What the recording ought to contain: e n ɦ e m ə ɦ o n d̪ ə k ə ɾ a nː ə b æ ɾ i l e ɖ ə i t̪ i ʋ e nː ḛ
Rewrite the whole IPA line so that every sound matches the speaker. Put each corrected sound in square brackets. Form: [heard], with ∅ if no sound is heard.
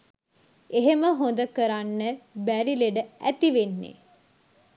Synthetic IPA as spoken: e [∅] ɦ e m ə ɦ o n d̪ ə k ə ɾ a nː ə b æ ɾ i l e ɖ ə [æ] t̪ i ʋ e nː ḛ